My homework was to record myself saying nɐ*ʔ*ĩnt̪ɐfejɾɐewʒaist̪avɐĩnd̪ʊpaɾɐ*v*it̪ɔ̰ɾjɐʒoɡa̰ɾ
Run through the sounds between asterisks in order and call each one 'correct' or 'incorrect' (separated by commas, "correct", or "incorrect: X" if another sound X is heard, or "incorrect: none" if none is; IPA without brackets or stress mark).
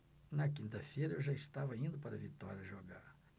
incorrect: k, correct